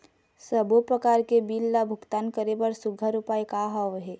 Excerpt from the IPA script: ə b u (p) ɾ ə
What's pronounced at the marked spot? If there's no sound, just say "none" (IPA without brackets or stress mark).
p